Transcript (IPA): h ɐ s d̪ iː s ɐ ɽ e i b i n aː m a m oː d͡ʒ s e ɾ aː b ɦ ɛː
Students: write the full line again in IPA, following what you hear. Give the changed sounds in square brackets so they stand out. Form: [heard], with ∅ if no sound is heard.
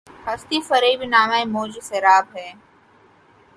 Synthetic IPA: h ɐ s [t̪] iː [f] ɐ [ɾ] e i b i n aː m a m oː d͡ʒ s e ɾ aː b ɦ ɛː